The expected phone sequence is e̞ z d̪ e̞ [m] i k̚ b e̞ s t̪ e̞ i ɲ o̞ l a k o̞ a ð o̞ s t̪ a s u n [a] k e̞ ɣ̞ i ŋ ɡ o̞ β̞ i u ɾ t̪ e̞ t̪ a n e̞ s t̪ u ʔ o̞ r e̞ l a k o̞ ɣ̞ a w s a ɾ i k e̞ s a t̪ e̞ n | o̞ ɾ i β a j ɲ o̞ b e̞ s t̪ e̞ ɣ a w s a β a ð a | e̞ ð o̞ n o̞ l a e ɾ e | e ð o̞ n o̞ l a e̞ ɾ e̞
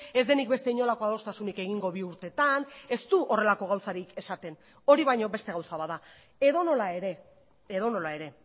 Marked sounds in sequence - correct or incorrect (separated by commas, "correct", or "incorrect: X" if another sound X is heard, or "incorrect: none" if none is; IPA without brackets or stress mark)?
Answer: incorrect: n, incorrect: i